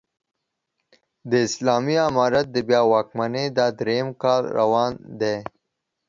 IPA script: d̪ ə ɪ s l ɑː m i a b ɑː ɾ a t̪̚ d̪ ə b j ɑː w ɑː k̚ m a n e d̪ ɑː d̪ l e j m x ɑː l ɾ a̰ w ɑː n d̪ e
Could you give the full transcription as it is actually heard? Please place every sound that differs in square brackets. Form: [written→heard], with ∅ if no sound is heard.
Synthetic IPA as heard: d̪ ə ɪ s l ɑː m i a [b→m] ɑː ɾ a t̪̚ d̪ ə b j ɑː w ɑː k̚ m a n e d̪ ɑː d̪ [l→ɾ] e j m [x→k] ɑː l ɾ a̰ w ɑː n d̪ e